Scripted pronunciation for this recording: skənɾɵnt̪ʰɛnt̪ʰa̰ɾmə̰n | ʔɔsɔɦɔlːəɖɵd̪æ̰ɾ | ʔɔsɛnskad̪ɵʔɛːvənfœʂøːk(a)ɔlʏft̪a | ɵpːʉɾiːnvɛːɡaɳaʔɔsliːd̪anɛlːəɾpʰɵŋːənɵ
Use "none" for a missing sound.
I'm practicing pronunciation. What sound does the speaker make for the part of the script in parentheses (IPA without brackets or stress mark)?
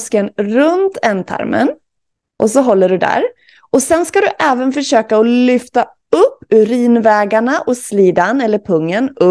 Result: a